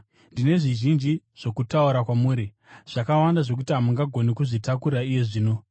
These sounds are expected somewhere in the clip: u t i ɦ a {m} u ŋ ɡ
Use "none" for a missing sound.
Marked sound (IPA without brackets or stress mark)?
m